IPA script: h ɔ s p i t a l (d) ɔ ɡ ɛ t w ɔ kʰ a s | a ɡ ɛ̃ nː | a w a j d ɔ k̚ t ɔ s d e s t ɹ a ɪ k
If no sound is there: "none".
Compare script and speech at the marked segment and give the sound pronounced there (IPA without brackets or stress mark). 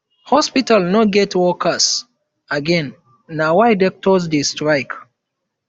n